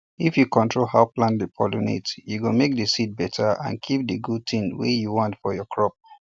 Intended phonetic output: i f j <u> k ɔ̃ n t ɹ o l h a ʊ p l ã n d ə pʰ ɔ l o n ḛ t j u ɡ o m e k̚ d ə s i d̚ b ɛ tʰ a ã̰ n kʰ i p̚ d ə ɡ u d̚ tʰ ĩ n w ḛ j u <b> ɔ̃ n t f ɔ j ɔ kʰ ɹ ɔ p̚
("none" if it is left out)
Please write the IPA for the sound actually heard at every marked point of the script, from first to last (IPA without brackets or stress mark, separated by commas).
u, w